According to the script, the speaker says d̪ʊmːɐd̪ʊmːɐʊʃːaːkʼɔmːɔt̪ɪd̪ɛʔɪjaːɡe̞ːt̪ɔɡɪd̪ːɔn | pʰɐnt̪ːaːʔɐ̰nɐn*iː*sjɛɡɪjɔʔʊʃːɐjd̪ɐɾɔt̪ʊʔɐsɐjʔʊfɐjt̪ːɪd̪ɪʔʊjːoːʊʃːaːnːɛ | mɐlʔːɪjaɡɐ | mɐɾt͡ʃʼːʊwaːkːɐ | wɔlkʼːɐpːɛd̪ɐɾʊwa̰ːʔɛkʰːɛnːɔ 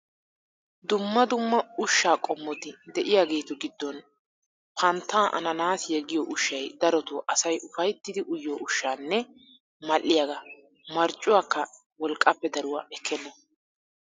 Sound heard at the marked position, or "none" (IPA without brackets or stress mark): aː